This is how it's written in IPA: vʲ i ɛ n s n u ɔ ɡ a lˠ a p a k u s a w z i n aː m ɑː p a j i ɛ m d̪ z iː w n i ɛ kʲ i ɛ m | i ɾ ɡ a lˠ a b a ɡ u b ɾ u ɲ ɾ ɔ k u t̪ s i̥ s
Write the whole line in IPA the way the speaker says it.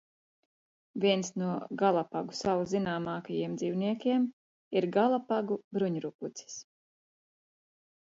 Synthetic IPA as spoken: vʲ i ɛ n s n u ɔ ɡ a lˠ a p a ɡ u s a w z i n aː m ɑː k a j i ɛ m d̪ z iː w n i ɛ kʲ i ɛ m | i ɾ ɡ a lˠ a p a ɡ u b ɾ u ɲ ɾ u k u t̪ s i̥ s